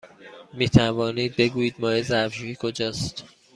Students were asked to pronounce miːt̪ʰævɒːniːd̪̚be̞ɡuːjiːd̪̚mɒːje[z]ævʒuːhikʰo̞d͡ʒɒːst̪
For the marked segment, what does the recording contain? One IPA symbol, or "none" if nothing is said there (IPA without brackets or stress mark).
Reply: z